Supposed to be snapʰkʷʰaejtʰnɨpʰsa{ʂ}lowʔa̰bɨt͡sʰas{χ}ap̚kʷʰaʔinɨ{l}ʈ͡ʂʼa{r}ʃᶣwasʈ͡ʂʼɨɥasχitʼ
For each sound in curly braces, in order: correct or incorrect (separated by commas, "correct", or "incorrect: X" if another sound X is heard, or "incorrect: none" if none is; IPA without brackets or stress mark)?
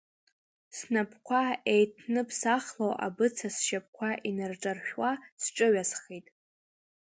incorrect: χ, incorrect: ʃ, incorrect: r, correct